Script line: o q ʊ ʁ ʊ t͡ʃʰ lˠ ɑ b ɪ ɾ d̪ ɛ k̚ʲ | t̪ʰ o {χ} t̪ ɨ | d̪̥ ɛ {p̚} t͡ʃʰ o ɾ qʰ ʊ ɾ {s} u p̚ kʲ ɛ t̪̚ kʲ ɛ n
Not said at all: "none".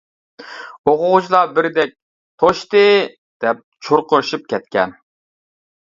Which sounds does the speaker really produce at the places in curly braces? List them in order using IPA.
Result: ʃ, p̚, ʃ

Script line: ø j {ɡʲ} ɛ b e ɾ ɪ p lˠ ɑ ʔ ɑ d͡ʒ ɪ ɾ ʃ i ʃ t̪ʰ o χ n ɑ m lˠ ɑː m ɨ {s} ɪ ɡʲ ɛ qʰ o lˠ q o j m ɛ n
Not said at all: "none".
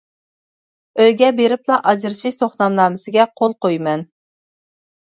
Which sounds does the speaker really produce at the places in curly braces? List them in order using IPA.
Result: ɡʲ, s

